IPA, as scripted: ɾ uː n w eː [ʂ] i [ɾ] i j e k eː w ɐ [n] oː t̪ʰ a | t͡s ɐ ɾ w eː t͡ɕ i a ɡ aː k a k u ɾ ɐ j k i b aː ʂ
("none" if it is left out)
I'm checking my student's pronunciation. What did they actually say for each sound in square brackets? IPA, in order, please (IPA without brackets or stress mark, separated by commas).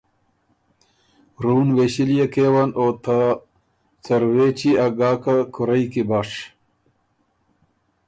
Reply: ɕ, l, n